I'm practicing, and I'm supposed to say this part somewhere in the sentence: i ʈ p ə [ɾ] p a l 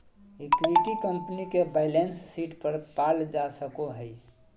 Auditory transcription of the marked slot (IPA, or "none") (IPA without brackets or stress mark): ɾ